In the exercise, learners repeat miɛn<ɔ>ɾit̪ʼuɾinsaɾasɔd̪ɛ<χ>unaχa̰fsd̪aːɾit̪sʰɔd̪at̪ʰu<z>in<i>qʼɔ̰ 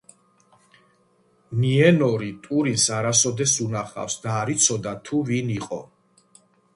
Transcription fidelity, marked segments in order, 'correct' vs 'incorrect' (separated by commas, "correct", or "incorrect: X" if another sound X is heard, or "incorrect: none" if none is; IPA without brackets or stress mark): correct, incorrect: s, incorrect: v, correct